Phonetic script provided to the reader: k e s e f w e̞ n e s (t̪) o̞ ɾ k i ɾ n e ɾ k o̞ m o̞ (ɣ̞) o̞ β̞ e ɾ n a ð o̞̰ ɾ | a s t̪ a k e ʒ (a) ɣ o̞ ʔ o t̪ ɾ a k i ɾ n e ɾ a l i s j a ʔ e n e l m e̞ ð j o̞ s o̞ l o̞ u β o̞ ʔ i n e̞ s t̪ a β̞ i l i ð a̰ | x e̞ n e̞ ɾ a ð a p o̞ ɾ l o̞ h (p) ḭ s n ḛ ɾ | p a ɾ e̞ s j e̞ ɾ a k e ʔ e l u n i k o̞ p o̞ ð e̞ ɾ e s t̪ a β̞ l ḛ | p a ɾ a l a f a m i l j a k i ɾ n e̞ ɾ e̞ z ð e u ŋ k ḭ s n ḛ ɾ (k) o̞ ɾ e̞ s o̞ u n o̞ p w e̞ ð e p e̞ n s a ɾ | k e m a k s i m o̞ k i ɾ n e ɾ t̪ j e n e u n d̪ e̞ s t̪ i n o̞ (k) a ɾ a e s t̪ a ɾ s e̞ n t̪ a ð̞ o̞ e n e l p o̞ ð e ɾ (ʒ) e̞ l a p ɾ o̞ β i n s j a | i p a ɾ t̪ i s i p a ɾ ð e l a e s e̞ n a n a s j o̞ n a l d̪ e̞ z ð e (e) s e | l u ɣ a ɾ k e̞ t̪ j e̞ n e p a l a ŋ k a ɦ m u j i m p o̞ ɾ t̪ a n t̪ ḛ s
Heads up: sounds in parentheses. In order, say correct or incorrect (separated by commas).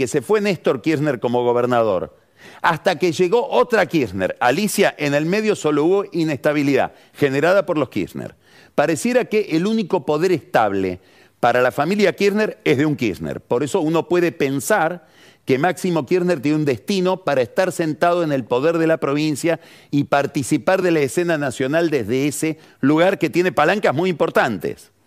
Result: correct, correct, incorrect, incorrect, incorrect, incorrect, incorrect, correct